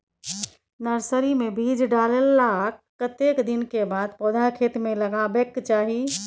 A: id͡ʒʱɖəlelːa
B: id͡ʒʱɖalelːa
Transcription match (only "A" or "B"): B